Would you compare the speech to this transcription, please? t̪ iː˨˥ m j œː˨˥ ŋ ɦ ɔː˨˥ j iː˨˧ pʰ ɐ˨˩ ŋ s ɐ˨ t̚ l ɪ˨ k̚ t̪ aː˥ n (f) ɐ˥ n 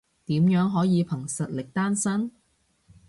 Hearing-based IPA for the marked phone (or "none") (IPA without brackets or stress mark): s